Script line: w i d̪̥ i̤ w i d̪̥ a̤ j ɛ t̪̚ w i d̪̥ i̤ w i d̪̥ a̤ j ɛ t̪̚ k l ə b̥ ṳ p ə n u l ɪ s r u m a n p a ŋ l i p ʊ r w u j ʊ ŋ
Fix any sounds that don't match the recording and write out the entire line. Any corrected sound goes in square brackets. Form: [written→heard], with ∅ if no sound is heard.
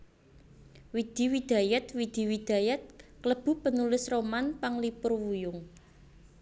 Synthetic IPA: w i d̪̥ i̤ w i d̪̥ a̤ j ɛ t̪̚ w i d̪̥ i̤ w i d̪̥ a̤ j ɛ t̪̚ k l ə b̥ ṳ p ə n u l ɪ s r [u→o] m a n p a ŋ l i p ʊ r w u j ʊ ŋ